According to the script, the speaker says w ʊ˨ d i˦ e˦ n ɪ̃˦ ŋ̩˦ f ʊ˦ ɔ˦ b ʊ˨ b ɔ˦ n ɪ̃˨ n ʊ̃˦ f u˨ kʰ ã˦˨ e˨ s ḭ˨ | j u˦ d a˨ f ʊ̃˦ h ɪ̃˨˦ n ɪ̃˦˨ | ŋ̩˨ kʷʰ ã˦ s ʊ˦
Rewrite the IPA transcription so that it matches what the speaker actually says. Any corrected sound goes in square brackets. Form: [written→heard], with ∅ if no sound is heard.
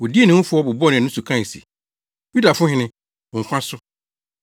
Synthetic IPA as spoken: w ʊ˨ d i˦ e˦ n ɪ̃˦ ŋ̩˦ f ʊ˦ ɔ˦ b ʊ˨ b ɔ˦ n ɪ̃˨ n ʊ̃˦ [f→s] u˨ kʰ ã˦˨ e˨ s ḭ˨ | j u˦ d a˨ f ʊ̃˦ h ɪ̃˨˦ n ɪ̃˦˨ | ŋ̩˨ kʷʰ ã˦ s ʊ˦

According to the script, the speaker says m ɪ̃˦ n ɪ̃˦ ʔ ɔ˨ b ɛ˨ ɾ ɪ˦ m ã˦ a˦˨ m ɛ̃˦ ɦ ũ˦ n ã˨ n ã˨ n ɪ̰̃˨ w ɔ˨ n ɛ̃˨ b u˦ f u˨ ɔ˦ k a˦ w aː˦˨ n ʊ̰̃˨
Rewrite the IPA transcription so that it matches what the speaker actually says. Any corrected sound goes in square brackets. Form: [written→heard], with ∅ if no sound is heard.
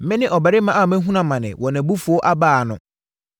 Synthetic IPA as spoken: m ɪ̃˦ n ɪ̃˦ ʔ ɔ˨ b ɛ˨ ɾ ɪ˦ m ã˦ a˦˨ m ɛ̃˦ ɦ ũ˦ n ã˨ [n→m] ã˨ n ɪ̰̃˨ w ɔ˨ n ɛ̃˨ b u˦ f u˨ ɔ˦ [k→ʔ] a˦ [w→b] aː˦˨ n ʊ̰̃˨

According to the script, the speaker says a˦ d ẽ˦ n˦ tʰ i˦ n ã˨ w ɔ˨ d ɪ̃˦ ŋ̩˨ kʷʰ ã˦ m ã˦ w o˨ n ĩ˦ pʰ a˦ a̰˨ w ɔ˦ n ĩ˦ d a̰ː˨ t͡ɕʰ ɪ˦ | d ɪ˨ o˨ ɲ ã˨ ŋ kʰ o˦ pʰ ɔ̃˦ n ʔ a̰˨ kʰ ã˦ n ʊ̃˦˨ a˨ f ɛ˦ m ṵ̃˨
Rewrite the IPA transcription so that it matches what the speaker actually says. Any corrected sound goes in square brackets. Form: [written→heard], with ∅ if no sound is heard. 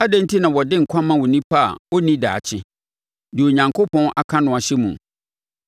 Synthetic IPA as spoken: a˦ d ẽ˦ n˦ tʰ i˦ n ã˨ w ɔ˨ d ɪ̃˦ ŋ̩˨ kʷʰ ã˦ m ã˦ w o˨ n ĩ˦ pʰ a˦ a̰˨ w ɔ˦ n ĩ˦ d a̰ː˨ t͡ɕʰ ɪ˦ | d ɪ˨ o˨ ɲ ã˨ ŋ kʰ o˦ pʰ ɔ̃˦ n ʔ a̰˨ kʰ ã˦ n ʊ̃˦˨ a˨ [f→ɕ] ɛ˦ m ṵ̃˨

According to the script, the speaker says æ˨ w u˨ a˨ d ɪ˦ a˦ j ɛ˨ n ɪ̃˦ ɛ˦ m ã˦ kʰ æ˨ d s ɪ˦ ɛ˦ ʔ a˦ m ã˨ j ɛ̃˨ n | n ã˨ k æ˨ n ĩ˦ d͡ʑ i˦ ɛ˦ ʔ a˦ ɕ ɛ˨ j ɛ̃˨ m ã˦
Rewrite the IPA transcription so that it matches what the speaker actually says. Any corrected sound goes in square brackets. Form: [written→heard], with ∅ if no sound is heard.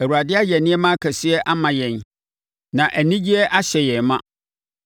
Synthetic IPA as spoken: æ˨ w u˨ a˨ d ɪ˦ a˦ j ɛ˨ n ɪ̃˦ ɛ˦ m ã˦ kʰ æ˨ [d→∅] s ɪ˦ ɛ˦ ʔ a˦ m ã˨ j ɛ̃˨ n | n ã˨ [k→ʔ] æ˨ n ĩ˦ d͡ʑ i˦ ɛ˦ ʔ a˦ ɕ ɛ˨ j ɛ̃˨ m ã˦

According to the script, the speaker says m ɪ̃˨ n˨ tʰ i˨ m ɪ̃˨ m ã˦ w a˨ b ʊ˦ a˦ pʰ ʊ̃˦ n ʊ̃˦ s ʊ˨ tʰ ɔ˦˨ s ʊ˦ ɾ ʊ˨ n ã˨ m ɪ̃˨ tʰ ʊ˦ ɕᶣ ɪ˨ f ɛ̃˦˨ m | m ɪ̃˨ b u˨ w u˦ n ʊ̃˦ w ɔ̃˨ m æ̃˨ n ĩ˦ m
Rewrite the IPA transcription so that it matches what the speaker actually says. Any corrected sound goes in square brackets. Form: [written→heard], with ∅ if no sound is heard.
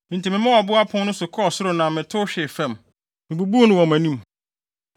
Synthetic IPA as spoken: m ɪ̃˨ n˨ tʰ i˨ m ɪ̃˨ m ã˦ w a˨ b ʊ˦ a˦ pʰ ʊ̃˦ n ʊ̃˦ s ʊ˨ [tʰ→kʰ] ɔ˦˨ s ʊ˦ ɾ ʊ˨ n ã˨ m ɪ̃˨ tʰ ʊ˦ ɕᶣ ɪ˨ f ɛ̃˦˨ m | m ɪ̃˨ b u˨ [w→b] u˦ n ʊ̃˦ w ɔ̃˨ m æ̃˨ n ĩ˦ m

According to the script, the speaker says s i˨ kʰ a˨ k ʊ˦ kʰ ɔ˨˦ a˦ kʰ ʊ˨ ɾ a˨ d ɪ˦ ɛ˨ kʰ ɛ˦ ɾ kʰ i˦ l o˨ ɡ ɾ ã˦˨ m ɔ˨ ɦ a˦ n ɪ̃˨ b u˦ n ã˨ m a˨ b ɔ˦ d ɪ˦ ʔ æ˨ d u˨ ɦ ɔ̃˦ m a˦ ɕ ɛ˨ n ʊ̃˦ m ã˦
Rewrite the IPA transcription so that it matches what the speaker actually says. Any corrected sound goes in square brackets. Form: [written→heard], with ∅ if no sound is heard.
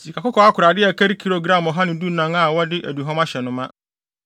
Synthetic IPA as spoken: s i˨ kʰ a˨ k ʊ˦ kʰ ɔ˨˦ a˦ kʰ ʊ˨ ɾ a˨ d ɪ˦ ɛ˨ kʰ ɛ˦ ɾ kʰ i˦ [l→ɾ] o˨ ɡ ɾ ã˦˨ m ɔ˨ ɦ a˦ n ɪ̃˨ [b→d] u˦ n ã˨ [m→ŋ] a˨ [b→w] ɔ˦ d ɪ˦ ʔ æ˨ d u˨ ɦ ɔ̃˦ m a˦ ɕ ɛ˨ n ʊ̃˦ m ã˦

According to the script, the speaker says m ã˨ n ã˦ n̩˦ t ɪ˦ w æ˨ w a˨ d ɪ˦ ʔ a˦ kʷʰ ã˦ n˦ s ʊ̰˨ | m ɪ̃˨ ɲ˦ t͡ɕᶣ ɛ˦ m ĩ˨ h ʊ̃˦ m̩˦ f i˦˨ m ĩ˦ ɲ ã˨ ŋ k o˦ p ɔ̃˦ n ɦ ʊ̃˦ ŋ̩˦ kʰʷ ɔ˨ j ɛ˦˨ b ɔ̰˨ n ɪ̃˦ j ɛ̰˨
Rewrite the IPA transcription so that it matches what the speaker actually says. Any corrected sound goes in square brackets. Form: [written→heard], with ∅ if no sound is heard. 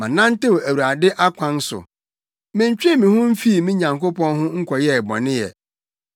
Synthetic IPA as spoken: m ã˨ n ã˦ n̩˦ t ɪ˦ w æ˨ w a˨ d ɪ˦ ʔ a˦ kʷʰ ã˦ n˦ s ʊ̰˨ | m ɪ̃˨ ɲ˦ t͡ɕᶣ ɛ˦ m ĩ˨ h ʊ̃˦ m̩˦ f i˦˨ m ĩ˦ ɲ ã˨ ŋ k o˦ p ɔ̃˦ n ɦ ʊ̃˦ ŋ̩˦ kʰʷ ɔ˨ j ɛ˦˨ b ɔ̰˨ n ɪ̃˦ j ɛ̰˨

